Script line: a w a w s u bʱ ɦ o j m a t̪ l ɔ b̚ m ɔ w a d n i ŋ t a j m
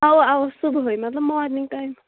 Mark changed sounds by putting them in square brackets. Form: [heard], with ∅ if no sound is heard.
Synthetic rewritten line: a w a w s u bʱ ɦ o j m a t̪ l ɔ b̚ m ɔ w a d n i ŋ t a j m